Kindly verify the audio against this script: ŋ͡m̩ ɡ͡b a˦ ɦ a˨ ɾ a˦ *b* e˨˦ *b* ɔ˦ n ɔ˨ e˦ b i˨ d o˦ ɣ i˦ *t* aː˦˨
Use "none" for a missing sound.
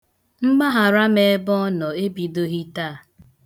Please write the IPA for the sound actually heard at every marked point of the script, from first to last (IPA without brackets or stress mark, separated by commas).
m, b, t